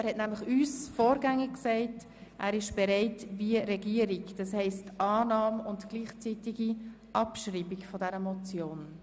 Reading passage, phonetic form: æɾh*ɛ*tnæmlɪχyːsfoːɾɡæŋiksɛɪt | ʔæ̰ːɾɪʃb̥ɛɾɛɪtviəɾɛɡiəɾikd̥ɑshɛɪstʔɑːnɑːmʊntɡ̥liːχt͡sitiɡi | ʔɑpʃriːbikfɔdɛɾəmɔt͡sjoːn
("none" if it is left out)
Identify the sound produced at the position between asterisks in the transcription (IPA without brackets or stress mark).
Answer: ɛ